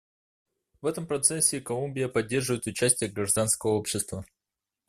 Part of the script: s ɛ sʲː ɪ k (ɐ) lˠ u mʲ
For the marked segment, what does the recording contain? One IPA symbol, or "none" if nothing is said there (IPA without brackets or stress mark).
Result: ɐ